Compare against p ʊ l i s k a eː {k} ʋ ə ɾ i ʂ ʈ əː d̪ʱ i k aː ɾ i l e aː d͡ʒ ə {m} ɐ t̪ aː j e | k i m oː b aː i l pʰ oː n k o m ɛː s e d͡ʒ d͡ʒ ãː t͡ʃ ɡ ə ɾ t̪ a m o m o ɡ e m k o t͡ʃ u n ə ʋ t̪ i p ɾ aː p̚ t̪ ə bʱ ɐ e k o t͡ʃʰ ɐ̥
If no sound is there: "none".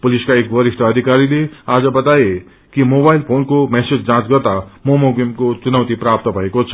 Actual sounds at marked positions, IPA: k, b

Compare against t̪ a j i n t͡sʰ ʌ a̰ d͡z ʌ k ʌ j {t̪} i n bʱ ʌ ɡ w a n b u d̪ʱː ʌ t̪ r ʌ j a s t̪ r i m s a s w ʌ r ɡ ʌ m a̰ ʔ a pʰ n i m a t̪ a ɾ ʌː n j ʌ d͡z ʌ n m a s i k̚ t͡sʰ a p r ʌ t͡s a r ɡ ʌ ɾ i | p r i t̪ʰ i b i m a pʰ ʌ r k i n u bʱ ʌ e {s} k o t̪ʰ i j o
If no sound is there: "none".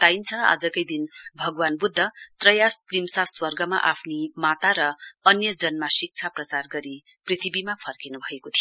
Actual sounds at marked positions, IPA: d̪, none

